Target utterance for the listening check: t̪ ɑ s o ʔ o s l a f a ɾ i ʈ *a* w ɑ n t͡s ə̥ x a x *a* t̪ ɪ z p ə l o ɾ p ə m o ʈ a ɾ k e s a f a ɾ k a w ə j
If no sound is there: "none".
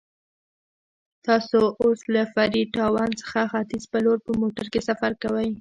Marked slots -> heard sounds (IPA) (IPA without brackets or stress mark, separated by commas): ɑ, a